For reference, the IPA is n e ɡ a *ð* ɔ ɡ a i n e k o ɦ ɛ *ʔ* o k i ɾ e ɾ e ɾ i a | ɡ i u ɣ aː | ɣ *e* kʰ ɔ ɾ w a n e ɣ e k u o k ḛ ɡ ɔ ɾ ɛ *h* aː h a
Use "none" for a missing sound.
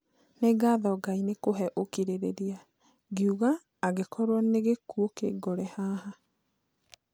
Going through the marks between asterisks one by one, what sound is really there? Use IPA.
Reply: ð, ʔ, e, h

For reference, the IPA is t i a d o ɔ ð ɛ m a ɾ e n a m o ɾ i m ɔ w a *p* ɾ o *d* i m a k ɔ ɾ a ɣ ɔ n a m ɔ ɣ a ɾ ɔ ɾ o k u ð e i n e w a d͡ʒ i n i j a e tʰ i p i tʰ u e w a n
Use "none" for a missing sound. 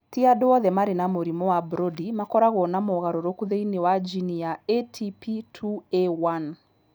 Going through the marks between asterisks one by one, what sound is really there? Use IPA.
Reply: b, d

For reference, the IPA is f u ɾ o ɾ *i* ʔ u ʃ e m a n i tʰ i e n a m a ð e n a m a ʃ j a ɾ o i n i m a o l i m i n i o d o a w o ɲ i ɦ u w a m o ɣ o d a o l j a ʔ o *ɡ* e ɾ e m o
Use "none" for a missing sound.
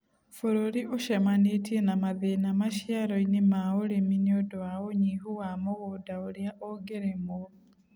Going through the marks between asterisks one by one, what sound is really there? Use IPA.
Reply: i, ɡ

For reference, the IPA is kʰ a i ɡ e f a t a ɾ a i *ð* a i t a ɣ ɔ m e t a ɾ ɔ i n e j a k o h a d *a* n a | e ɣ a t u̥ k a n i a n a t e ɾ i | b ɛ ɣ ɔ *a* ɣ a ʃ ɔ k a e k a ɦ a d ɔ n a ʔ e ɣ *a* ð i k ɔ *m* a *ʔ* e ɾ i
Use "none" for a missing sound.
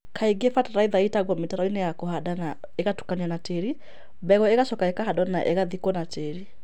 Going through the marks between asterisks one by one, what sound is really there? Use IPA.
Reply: ð, a, e, a, n, t

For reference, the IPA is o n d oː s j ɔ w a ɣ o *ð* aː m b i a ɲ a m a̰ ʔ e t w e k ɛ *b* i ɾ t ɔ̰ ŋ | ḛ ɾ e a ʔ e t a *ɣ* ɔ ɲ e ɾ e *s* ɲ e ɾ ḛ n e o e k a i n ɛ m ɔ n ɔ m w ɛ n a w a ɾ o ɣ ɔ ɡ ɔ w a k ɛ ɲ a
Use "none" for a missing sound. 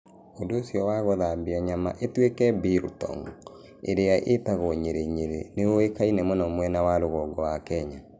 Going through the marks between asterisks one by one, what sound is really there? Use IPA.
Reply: ð, b, ɣ, none

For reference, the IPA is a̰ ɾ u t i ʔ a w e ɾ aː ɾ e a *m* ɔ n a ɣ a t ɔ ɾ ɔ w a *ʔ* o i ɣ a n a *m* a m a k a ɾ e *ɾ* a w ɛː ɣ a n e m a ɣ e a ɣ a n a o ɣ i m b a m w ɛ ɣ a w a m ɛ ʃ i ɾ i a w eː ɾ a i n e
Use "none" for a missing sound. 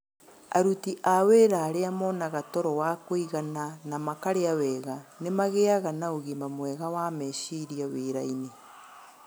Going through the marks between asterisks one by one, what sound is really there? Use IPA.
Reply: m, k, n, none

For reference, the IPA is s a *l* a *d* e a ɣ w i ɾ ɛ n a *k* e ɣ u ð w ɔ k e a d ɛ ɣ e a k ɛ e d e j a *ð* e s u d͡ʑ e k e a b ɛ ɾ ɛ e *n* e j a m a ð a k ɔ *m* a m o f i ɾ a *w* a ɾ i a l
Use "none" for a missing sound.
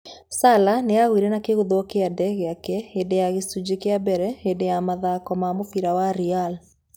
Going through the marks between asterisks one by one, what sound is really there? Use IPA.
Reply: l, n, k, ɣ, d, m, w

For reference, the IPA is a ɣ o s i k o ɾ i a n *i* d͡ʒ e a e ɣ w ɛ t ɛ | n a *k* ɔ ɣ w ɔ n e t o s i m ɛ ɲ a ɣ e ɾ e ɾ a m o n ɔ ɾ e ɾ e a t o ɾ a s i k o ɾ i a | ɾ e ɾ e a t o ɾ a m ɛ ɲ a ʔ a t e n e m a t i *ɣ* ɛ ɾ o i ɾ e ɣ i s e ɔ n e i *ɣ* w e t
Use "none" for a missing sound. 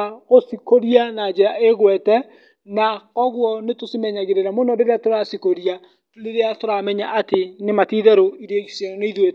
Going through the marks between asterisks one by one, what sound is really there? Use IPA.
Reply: a, k, ð, ð

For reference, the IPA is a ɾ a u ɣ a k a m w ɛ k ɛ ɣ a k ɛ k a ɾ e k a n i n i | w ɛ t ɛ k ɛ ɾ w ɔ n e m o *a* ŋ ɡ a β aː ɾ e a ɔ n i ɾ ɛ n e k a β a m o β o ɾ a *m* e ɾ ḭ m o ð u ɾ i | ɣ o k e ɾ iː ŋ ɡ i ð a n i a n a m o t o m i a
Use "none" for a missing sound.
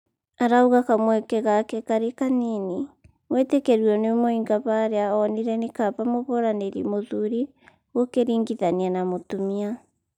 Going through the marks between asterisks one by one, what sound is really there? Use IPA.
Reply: i, n

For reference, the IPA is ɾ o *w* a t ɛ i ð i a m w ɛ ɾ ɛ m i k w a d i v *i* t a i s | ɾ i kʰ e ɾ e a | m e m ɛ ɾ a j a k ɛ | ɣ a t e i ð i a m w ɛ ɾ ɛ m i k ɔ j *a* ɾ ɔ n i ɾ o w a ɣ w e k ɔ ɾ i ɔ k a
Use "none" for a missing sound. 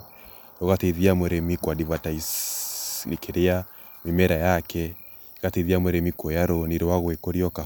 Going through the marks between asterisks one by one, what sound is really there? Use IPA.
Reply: ɣ, a, a

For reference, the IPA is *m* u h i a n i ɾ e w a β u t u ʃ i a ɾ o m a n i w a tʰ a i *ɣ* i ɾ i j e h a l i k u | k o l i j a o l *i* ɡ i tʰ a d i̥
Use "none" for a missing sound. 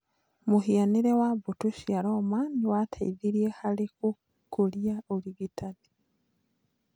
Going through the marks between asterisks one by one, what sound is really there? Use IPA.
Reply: m, ð, i

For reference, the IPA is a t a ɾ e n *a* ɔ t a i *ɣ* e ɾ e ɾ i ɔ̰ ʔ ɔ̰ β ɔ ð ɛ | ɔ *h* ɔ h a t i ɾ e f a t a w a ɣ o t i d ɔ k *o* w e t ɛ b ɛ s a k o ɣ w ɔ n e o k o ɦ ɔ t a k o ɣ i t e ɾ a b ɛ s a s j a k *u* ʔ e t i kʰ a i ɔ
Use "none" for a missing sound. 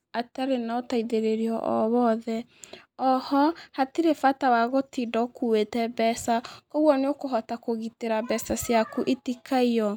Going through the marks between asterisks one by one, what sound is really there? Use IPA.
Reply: a, ð, h, u, u

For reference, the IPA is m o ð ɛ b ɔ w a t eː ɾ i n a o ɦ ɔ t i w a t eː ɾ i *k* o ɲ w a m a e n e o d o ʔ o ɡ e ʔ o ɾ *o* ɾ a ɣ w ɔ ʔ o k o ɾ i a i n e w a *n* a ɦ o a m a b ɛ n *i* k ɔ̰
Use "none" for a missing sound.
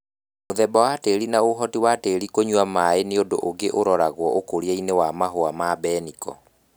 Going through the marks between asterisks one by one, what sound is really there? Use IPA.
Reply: k, ɔ, m, i

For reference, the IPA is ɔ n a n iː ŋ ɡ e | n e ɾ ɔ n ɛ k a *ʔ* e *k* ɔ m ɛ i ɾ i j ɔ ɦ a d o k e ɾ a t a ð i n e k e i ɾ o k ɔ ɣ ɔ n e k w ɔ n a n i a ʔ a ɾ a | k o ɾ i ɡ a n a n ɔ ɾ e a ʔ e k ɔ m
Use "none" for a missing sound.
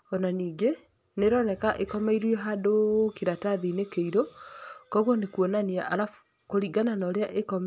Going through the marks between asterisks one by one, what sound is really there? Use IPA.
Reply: ʔ, k

